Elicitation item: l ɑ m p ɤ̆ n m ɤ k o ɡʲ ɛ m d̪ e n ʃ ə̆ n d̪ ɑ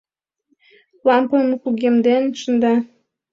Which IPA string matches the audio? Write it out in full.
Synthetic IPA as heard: l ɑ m p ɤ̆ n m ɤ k u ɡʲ e m d̪ e n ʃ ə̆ n d̪ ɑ